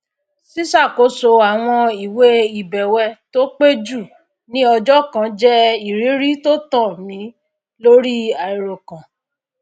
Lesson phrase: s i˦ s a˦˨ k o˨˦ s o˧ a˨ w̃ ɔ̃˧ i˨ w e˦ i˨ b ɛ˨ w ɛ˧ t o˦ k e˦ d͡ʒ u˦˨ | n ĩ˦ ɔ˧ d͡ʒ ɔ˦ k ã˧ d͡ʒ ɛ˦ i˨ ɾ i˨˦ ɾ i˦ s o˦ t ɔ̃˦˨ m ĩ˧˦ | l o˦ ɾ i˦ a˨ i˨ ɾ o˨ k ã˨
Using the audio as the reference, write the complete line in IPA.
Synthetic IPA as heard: s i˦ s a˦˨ k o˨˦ s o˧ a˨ w̃ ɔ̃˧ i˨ w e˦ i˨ b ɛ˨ w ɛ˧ t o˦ k͡p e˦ d͡ʒ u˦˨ | n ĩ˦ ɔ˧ d͡ʒ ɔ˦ k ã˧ d͡ʒ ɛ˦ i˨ ɾ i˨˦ ɾ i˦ t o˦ t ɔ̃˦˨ m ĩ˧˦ | l o˦ ɾ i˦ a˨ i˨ ɾ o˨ k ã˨